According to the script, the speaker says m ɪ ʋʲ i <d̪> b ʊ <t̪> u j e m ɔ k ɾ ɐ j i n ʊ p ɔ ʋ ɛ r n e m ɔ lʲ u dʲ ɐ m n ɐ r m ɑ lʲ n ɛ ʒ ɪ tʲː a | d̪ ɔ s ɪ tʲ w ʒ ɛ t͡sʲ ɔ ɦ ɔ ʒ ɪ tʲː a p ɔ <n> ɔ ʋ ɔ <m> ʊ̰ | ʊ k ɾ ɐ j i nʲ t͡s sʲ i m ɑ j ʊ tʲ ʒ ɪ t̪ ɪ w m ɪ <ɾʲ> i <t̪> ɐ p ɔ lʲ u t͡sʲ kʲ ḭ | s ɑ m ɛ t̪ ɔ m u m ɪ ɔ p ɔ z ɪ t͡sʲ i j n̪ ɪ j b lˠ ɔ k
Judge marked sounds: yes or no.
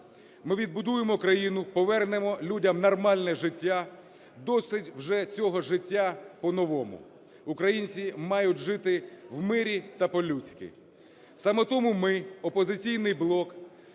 yes, no, yes, yes, yes, yes

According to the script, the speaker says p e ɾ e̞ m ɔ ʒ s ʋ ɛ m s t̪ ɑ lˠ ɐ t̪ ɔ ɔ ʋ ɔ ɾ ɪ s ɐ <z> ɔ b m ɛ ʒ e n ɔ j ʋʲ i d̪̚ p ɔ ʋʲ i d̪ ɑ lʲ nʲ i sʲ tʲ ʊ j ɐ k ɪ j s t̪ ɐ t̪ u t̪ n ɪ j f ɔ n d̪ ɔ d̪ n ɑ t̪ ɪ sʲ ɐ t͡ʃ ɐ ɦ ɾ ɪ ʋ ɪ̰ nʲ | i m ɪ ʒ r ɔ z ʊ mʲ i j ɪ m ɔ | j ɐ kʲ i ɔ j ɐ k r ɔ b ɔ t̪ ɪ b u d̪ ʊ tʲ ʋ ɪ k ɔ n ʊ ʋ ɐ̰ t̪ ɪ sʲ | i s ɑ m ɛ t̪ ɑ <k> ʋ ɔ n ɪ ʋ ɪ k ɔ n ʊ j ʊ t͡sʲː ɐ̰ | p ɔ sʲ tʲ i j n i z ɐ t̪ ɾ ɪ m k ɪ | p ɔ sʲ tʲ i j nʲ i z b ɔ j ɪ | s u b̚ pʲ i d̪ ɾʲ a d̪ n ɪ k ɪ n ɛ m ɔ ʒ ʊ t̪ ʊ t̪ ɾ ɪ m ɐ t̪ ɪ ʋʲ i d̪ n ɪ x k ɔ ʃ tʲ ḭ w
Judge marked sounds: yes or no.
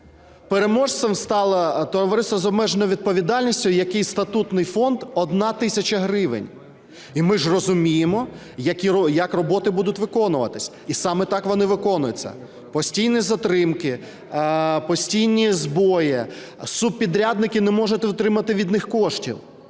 yes, yes

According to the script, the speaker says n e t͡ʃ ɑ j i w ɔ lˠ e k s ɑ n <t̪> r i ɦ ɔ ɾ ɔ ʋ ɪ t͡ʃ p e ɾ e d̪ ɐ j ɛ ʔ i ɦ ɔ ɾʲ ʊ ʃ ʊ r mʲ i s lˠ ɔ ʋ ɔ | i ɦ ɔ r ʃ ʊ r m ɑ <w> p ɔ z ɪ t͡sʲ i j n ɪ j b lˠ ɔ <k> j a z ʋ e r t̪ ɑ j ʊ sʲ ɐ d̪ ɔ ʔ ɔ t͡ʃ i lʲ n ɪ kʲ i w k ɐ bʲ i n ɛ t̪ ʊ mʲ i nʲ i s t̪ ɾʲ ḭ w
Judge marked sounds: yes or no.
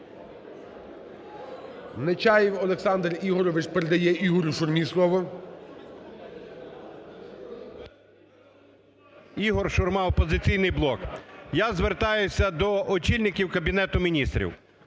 no, yes, yes

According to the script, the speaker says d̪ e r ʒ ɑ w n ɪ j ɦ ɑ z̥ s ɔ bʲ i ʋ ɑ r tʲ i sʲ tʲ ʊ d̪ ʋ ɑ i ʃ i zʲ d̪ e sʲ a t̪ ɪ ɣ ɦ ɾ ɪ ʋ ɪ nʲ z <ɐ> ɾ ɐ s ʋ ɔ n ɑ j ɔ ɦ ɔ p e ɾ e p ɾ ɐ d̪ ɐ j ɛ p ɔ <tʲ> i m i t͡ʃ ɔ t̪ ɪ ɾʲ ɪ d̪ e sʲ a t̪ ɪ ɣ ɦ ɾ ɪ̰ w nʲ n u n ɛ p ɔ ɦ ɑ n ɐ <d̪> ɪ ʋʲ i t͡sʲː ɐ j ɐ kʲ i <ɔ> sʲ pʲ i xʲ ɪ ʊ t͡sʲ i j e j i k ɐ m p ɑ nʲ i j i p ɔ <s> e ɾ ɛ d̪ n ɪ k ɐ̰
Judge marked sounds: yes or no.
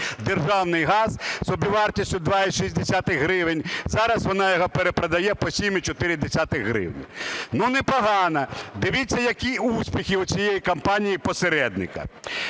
no, no, yes, no, yes

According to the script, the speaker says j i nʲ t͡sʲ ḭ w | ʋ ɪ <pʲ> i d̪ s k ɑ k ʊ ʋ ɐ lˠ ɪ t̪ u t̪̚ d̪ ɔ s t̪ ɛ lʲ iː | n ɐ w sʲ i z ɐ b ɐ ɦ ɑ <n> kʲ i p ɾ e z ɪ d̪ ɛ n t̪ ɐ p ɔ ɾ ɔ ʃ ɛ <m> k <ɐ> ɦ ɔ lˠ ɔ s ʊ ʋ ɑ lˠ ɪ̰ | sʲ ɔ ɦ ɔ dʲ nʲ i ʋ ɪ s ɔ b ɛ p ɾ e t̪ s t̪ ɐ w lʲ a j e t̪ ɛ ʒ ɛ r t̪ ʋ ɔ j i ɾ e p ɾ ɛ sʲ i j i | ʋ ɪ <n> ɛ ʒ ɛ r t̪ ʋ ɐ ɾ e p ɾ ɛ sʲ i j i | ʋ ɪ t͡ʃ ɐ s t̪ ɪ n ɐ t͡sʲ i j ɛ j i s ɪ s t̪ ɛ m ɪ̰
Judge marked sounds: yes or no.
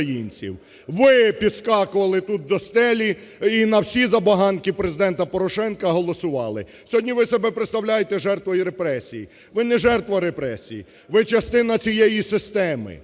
yes, yes, no, yes, yes

